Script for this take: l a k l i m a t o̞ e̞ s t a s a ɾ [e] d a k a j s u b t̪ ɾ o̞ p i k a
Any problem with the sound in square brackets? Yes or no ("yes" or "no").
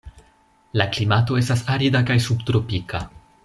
yes